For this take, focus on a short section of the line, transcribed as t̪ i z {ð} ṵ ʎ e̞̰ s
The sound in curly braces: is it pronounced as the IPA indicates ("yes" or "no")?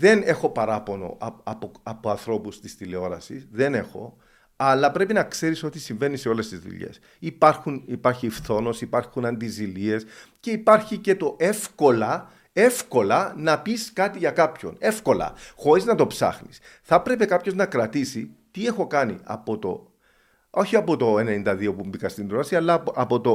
yes